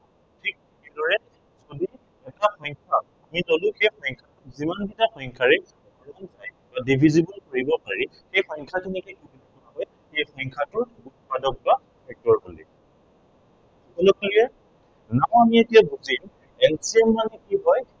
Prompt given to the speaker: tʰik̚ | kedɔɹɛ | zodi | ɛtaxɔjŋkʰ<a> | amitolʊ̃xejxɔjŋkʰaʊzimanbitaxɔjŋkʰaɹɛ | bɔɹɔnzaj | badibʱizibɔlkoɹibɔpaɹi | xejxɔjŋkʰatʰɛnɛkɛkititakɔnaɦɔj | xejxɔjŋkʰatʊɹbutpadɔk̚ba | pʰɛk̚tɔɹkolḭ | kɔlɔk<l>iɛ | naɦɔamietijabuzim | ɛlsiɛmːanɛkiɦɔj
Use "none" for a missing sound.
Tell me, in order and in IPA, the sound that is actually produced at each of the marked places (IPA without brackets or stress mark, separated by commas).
a, l